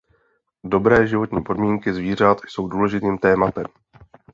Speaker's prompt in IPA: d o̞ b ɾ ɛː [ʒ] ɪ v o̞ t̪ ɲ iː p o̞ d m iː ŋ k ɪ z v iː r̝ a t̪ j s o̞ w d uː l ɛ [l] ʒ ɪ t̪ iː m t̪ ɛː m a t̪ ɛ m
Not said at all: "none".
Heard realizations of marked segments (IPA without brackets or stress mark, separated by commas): ʒ, none